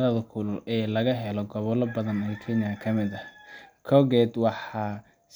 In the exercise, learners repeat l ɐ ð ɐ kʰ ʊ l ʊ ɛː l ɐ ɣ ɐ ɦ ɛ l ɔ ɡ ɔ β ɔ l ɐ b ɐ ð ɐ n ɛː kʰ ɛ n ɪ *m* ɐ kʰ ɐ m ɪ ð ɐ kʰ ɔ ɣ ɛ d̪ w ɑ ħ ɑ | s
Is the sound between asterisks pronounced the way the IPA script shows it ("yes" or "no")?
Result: no